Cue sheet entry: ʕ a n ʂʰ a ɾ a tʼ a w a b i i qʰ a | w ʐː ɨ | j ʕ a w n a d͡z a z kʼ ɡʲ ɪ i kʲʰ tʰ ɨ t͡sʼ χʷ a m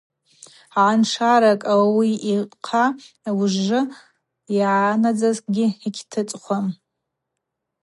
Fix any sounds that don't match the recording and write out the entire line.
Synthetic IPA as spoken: ʕ a n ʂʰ a ɾ a kʼ a w a w i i qʰ a | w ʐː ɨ | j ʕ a n a d͡z a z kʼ ɡʲ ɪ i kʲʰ tʰ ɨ t͡sʼ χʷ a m